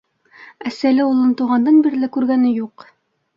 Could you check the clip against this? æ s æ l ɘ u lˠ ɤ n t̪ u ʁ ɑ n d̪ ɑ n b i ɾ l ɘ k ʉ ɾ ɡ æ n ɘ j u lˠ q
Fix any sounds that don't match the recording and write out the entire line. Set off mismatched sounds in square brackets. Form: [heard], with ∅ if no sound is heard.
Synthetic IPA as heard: æ s æ l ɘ u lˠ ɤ n t̪ u ʁ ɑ n d̪ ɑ n b i ɾ l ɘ k ʉ ɾ ɡ æ n ɘ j u [∅] q